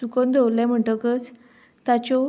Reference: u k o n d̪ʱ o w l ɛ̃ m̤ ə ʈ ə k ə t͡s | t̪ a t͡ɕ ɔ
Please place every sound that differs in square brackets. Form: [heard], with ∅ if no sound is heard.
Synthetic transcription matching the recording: u k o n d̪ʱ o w l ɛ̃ m̤ ə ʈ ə k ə t͡s | t̪ a t͡ɕ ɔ